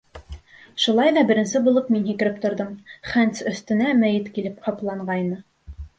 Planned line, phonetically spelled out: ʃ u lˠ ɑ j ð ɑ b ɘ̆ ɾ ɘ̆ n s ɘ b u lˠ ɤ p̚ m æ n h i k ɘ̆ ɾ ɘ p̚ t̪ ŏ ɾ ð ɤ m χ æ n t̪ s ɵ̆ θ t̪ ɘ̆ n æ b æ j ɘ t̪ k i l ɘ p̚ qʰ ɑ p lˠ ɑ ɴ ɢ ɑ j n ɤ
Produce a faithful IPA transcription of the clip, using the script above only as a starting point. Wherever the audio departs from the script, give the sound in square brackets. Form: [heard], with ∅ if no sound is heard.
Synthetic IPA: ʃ u lˠ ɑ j ð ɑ b ɘ̆ ɾ ɘ̆ n s ɘ b u lˠ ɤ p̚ m [i] n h i k ɘ̆ ɾ ɘ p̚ t̪ ŏ ɾ ð ɤ m χ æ n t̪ s ɵ̆ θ t̪ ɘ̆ n æ [m] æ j ɘ t̪ k i l ɘ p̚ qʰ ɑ p lˠ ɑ ɴ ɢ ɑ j n ɤ